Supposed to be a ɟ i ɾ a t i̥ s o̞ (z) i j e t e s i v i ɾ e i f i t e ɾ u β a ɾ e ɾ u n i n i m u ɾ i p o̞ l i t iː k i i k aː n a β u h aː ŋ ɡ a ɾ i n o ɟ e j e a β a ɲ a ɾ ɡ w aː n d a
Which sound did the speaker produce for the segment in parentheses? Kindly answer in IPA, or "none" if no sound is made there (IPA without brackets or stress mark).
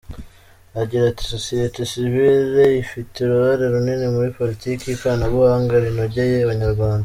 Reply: s